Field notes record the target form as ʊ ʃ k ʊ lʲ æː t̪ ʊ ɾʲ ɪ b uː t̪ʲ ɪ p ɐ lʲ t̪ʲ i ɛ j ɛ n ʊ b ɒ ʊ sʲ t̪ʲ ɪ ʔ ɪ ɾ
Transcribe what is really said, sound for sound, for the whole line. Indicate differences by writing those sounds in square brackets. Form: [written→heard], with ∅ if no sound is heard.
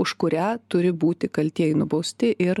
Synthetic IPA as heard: ʊ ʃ k ʊ [lʲ→ɾʲ] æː t̪ ʊ ɾʲ ɪ b uː t̪ʲ ɪ [p→k] ɐ lʲ t̪ʲ i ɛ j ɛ n ʊ b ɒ ʊ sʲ t̪ʲ ɪ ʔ ɪ ɾ